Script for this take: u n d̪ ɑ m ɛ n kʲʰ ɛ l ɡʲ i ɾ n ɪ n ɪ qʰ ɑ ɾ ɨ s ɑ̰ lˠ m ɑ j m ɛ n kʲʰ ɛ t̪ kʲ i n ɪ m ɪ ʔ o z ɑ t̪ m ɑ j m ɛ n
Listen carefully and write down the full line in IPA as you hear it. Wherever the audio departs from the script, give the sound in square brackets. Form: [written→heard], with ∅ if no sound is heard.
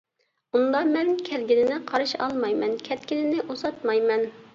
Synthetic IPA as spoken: u n d̪ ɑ m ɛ n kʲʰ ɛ l ɡʲ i [ɾ→∅] n ɪ n ɪ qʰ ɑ ɾ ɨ [s→ʃ] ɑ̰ lˠ m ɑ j m ɛ n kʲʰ ɛ t̪ kʲ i n ɪ [m→n] ɪ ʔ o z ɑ t̪ m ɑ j m ɛ n